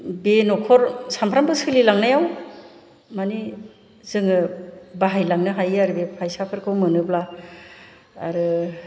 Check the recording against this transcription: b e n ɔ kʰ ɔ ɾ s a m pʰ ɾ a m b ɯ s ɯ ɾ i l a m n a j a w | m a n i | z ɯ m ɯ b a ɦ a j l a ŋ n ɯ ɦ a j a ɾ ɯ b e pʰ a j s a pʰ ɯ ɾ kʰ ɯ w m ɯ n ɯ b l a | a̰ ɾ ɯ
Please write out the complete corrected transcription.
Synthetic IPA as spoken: b e n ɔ kʰ ɔ ɾ s a m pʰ ɾ a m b ɯ s ɯ l i l a ŋ n a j a w | m a n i | z ɯ ŋ ɯ b a ɦ a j l a ŋ n ɯ ɦ a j a ɾ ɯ b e pʰ a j s a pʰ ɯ ɾ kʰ ɯ w m ɯ n ɯ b l a | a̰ ɾ ɯ